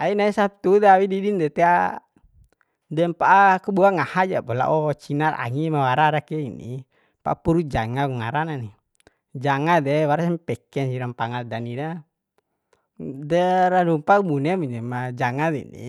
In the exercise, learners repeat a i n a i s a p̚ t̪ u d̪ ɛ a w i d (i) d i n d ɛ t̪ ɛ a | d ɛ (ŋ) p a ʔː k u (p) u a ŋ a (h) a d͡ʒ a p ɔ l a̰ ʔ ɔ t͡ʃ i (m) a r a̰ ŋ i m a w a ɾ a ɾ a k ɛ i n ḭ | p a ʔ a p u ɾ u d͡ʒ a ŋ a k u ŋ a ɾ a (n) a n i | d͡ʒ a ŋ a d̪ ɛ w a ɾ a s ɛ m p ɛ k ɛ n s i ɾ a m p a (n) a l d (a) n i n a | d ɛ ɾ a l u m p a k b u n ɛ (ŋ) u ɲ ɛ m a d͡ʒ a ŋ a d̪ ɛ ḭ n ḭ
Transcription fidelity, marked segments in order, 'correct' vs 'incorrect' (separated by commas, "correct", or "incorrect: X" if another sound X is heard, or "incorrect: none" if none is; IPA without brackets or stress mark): correct, incorrect: m, incorrect: b, correct, incorrect: n, correct, incorrect: ŋ, correct, incorrect: m